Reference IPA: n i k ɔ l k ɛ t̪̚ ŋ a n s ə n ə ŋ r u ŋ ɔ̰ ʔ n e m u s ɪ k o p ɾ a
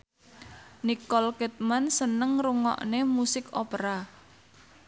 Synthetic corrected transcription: n i k ɔ l k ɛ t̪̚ m a n s ə n ə ŋ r u ŋ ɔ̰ ʔ n e m u s ɪ k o p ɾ a